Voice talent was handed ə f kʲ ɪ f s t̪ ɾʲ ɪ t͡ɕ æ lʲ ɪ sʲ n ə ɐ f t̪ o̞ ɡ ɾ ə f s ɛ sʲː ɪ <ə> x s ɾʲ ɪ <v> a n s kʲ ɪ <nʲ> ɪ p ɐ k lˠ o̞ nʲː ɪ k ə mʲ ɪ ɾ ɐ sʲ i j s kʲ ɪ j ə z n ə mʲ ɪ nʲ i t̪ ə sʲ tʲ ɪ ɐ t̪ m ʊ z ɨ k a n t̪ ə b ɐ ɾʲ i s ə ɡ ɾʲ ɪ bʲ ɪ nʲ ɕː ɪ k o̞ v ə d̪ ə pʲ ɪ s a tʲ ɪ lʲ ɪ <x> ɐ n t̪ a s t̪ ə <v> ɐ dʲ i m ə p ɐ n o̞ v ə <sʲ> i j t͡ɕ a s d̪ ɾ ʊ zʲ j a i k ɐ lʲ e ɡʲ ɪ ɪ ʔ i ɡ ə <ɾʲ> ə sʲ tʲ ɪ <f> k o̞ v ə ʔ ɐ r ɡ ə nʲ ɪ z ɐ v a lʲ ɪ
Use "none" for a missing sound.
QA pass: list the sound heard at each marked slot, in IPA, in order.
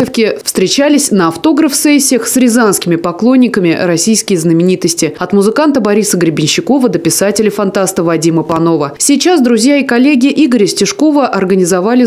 ə, z, mʲ, f, v, sʲ, ɾʲ, ʂ

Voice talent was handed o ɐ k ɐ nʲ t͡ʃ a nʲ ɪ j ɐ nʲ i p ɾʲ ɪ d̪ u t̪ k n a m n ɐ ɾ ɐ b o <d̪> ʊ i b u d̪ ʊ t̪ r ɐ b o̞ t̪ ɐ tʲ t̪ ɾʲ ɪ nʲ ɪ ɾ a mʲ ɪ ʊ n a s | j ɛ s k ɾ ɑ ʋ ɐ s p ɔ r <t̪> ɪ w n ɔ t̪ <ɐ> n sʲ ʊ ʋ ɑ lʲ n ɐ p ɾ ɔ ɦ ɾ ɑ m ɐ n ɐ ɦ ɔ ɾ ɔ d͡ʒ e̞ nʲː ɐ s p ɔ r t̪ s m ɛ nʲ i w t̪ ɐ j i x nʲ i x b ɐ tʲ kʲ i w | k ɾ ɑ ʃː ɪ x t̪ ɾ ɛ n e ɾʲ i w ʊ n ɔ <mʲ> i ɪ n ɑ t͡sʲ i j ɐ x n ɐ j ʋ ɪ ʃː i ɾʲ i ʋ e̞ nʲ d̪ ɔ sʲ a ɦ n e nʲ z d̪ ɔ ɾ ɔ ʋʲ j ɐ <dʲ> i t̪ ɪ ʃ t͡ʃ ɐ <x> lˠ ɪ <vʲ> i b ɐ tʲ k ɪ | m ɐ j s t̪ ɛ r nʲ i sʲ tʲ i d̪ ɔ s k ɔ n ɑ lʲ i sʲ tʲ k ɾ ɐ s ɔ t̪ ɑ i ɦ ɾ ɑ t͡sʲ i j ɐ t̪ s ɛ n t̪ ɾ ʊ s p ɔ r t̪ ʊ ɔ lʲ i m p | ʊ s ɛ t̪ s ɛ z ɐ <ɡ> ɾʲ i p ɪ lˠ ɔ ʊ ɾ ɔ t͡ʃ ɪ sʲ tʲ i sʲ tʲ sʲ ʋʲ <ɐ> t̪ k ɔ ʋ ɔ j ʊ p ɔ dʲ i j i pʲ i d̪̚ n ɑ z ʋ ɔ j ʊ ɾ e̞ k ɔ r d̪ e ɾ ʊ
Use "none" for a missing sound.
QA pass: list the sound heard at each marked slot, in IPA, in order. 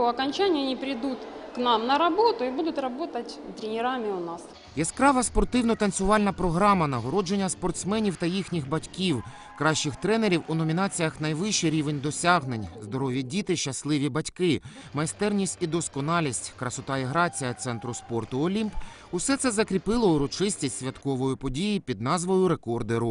t̪, t̪, ɐ, mʲ, dʲ, s, ʋʲ, k, ɐ

